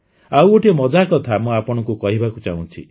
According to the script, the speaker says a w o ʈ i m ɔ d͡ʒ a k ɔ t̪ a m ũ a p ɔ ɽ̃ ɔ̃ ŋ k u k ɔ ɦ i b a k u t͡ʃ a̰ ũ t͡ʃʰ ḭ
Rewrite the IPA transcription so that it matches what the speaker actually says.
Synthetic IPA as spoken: a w o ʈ i m ɔ d͡ʒ a k ɔ t̪ʰ a m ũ a p ɔ ɽ̃ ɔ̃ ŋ k u k ɔ ɦ i b a k u t͡ʃ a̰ ũ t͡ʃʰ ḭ